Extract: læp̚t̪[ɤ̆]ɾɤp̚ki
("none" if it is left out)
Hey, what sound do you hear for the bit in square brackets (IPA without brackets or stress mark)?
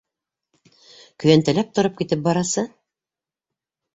ŏ